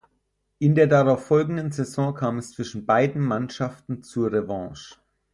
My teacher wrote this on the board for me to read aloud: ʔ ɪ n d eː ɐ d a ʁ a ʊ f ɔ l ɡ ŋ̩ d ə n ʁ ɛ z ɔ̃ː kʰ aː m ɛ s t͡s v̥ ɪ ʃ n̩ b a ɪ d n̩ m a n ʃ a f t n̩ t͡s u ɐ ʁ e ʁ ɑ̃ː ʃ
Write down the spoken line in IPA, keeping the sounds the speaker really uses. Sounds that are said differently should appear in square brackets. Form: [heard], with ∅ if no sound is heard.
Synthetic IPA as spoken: ʔ ɪ n d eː ɐ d a ʁ a ʊ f ɔ l ɡ ŋ̩ d ə n [z] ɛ z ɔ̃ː kʰ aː m ɛ s t͡s v̥ ɪ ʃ n̩ b a ɪ d n̩ m a n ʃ a f t n̩ t͡s u ɐ ʁ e [v] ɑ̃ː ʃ